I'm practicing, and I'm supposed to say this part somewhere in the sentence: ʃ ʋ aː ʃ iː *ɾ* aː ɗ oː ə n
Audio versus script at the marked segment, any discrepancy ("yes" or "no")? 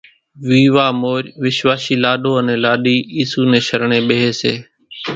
yes